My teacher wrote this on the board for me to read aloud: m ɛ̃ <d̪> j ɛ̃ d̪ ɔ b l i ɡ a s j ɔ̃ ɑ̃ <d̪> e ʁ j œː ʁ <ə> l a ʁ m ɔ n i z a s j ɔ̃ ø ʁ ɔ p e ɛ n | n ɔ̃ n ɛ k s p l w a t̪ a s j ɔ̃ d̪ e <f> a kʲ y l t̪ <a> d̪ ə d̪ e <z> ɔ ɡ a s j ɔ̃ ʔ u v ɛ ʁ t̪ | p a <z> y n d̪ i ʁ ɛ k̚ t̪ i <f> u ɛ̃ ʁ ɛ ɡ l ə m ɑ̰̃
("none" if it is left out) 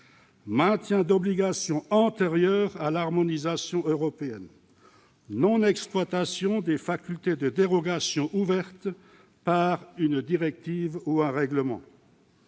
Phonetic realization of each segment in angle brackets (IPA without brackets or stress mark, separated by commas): t̪, t̪, a, f, e, ʁ, ʁ, v